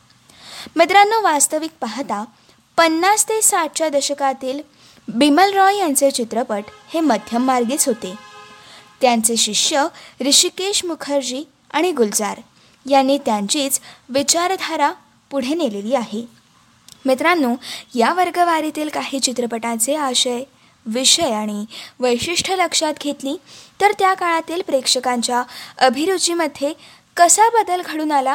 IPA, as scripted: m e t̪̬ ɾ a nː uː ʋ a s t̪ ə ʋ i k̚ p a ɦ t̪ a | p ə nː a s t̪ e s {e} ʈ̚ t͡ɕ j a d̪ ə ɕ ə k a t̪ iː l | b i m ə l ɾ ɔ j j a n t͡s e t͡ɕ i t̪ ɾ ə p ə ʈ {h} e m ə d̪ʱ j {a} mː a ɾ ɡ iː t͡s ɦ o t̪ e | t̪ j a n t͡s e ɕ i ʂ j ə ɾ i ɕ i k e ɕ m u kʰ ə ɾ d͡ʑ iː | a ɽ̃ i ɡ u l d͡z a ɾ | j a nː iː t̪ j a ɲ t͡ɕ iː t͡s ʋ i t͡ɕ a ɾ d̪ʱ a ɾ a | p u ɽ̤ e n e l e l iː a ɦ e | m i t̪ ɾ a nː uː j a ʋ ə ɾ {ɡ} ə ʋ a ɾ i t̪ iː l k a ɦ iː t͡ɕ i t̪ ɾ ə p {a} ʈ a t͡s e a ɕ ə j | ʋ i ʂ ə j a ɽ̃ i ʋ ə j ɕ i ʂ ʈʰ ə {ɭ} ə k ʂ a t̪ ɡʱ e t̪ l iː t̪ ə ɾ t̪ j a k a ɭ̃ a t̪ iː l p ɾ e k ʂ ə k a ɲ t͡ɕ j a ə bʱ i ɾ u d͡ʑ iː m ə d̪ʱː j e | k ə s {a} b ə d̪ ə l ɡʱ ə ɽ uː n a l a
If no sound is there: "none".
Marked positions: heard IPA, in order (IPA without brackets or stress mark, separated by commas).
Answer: a, h, ə, ɡ, ə, l, a